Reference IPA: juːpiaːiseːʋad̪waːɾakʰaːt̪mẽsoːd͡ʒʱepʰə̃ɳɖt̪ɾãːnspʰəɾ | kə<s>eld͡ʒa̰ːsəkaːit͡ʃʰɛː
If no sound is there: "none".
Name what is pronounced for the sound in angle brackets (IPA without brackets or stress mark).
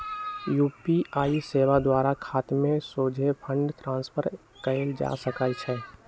none